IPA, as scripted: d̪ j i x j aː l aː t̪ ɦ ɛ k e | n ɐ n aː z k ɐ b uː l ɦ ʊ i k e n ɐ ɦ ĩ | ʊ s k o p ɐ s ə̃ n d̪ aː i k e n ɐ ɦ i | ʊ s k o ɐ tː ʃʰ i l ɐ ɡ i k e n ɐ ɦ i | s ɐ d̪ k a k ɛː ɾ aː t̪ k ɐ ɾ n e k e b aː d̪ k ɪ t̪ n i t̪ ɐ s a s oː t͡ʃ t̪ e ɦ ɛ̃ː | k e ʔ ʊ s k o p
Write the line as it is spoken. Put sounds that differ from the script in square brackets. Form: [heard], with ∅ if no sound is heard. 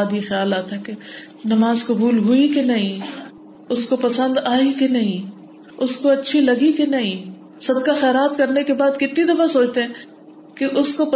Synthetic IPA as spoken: d̪ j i x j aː l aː t̪ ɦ ɛ k e | n ɐ [m] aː z k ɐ b uː l ɦ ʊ i k e n ɐ ɦ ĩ | ʊ s k o p ɐ s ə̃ n d̪ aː i k e n ɐ ɦ [ĩ] | ʊ s k o ɐ tː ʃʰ i l ɐ ɡ i k e n ɐ ɦ [ĩ] | s ɐ d̪ k a [x] ɛː ɾ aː t̪ k ɐ ɾ n e k e b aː d̪ k ɪ t̪ n i [d̪] ɐ [f] a s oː t͡ʃ t̪ e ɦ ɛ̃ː | k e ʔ ʊ s k o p